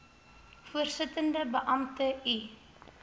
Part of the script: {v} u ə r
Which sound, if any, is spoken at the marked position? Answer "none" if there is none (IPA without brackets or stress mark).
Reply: f